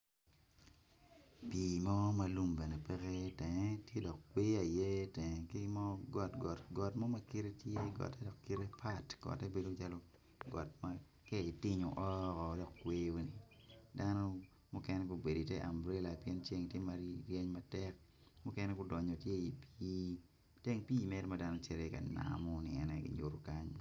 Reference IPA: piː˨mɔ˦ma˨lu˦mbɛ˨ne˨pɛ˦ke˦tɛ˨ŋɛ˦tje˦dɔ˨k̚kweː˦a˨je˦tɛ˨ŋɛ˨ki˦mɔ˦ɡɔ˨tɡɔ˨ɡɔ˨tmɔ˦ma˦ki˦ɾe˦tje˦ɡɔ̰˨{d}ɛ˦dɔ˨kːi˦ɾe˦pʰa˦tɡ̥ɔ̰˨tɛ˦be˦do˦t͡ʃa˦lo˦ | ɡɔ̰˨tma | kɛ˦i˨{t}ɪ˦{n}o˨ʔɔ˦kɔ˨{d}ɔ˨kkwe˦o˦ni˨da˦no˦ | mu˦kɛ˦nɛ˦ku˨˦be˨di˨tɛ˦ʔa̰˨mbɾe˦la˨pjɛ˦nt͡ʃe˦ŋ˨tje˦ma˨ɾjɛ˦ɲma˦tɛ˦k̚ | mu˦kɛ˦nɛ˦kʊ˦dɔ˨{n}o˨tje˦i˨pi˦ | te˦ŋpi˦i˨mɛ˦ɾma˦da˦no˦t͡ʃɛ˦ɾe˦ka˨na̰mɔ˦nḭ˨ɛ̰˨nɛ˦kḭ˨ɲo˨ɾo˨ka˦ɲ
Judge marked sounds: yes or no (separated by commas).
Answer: no, yes, no, yes, no